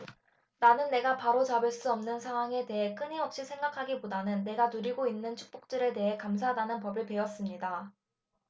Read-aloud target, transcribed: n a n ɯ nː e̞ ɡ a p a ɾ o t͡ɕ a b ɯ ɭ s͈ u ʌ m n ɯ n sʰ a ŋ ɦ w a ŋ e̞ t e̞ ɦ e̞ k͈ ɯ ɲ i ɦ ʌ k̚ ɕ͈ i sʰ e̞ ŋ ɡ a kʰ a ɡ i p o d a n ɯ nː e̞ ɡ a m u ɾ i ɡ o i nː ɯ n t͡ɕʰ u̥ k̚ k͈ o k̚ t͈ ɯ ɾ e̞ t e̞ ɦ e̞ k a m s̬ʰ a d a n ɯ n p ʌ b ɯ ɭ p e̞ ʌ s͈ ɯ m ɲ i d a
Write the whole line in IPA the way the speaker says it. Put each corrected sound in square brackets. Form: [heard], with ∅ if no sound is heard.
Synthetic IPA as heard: n a n ɯ nː e̞ ɡ a p a ɾ o t͡ɕ a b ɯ ɭ s͈ u ʌ m n ɯ n sʰ a ŋ ɦ w a ŋ e̞ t e̞ ɦ e̞ k͈ ɯ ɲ i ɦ ʌ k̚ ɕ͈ i sʰ e̞ ŋ ɡ a kʰ a ɡ i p o d a n ɯ nː e̞ ɡ a [n] u ɾ i ɡ o i nː ɯ n t͡ɕʰ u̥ k̚ [p͈] o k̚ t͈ ɯ ɾ e̞ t e̞ ɦ e̞ k a m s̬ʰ a d a n ɯ n p ʌ b ɯ ɭ p e̞ ʌ s͈ ɯ m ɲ i d a